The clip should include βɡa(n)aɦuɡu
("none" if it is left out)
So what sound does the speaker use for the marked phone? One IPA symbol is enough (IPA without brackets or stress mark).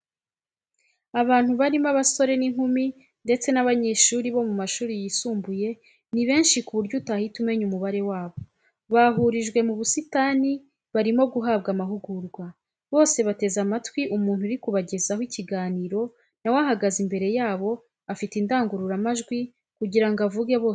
m